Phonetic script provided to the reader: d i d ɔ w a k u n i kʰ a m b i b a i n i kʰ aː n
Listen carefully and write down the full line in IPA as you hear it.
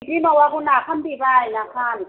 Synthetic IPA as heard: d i n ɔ w a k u n a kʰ a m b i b a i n a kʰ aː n